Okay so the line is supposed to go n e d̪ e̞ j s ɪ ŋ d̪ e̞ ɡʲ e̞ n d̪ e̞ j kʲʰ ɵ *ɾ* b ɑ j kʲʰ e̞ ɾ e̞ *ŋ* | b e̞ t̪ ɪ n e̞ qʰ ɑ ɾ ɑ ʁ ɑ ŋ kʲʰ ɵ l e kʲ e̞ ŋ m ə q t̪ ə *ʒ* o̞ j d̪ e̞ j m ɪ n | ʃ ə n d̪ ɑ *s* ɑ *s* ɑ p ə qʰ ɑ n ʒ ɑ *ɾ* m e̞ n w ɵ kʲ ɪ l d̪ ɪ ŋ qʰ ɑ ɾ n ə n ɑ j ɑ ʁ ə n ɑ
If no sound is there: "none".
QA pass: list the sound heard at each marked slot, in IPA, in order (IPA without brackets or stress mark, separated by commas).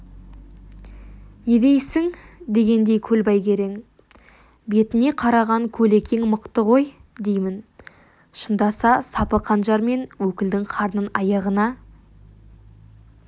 l, ŋ, ʁ, s, s, ɾ